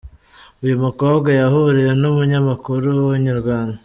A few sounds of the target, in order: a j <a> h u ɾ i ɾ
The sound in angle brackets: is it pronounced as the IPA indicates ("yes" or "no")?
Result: yes